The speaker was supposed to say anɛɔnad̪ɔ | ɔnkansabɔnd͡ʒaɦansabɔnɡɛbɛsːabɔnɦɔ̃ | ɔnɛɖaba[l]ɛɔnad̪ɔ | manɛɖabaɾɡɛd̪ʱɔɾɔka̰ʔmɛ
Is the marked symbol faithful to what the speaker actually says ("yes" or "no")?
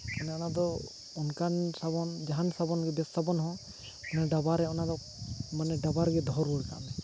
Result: no